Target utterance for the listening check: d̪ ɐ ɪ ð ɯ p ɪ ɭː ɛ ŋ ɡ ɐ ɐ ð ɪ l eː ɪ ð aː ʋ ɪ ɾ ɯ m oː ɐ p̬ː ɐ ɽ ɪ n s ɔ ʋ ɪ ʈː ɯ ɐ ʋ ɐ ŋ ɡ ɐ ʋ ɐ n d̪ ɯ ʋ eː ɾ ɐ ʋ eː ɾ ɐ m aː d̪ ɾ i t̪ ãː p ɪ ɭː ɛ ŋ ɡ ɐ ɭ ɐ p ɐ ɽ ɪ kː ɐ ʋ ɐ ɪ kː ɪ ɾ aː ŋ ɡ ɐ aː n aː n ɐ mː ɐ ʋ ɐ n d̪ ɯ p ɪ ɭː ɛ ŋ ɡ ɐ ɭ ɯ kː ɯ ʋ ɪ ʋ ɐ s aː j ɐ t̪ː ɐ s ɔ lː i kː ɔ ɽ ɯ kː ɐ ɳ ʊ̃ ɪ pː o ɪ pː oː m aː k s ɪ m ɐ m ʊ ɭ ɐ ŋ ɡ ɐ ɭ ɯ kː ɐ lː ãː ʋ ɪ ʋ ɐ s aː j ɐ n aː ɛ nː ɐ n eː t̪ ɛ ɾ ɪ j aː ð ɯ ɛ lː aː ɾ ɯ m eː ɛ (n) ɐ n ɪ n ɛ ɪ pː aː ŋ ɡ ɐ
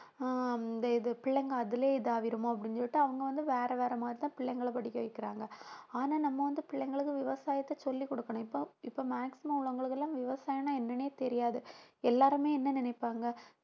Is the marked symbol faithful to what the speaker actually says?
no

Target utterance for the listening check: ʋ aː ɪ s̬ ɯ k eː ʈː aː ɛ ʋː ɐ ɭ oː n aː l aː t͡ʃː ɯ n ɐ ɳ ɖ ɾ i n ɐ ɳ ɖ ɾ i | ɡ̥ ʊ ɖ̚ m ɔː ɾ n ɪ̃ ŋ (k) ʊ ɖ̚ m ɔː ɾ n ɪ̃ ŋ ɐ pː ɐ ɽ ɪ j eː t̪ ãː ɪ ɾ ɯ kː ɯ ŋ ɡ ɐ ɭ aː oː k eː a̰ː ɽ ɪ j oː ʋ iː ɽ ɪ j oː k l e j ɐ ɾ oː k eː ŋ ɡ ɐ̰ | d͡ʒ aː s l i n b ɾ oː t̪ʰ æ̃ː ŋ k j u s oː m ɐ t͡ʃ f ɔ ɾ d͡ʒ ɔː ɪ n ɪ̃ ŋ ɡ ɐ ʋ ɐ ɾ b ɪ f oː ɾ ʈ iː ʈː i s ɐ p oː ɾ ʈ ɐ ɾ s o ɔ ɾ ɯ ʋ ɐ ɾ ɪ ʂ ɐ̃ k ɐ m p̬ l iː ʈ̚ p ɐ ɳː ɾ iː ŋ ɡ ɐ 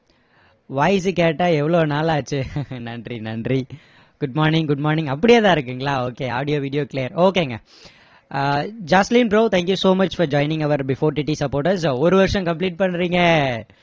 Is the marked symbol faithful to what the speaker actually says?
no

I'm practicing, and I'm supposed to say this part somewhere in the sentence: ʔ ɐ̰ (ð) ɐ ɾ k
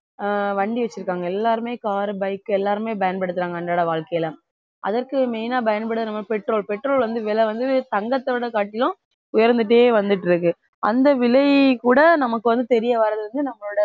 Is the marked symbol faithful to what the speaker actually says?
yes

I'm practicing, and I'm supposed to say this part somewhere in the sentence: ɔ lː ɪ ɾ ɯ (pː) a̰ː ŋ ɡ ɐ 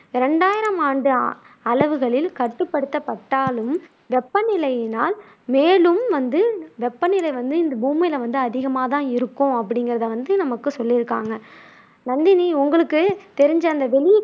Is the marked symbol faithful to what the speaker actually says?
no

